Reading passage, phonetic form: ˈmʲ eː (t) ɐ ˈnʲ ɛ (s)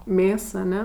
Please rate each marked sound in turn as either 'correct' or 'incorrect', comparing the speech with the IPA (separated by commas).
incorrect, incorrect